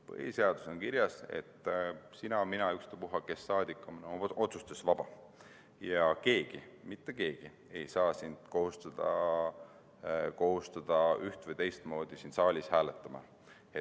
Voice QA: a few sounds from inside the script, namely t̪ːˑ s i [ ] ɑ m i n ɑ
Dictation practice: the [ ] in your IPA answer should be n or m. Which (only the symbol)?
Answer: n